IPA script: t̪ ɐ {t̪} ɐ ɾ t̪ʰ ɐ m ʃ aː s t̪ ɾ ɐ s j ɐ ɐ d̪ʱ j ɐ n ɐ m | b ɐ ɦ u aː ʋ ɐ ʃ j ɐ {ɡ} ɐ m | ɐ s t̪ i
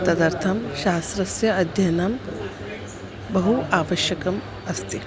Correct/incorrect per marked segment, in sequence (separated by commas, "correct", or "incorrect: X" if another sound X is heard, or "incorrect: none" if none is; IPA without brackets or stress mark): incorrect: d̪, incorrect: k